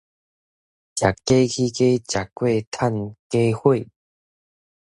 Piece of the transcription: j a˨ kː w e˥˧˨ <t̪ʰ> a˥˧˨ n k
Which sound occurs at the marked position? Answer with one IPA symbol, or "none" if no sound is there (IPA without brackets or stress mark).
t̪ʰ